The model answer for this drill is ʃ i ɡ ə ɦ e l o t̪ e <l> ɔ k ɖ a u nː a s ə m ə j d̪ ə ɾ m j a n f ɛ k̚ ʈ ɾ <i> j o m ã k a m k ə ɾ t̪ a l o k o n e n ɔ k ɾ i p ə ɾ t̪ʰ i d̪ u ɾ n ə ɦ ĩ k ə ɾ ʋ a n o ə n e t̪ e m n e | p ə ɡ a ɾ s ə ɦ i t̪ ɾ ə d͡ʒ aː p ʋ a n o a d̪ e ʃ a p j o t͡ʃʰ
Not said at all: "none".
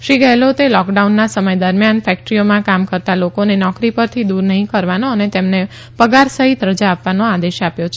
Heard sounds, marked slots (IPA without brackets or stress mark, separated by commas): l, i